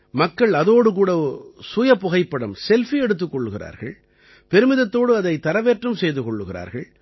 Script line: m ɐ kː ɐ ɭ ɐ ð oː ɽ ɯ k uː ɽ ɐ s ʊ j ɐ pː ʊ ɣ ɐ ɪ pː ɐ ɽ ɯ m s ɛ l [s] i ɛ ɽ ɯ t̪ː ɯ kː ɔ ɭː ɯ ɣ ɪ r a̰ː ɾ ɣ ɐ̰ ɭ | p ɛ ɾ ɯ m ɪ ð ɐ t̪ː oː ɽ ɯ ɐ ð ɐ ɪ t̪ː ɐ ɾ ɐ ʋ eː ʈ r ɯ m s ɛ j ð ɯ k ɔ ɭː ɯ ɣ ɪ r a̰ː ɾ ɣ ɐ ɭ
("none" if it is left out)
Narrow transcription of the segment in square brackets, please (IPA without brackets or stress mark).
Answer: f